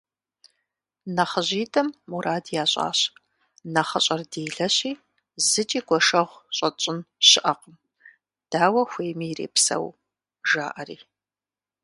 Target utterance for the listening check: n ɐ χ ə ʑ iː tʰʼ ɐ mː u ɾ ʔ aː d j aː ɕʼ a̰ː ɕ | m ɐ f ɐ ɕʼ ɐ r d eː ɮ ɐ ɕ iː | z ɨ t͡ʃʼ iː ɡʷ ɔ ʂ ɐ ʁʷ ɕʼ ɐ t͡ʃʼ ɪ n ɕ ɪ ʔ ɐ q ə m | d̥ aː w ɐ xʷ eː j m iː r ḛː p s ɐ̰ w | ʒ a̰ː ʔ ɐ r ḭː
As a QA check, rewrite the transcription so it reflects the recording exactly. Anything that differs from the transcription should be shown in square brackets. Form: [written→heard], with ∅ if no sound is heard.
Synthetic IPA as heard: n ɐ χ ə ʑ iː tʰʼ ɐ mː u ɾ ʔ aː d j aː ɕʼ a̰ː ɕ | [m→n] ɐ [f→χ] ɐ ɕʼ ɐ r d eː ɮ ɐ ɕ iː | z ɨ t͡ʃʼ iː ɡʷ ɔ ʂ ɐ ʁʷ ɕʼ ɐ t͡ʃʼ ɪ n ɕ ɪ ʔ ɐ q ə m | d̥ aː w ɐ xʷ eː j m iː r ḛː p s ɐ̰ w | ʒ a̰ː ʔ ɐ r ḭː